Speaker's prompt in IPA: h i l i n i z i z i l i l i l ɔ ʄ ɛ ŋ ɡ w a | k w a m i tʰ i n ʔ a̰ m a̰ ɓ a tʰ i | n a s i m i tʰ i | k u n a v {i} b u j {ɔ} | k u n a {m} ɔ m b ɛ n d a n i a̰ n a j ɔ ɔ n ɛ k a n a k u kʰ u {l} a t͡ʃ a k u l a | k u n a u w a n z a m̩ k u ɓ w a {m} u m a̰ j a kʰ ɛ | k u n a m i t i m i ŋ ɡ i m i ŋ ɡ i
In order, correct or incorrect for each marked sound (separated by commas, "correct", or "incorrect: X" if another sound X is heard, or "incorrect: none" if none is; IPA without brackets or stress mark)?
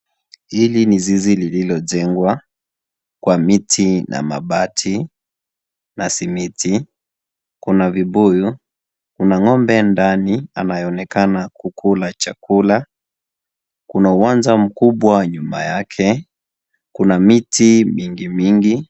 correct, incorrect: u, incorrect: ŋ, correct, incorrect: ɲ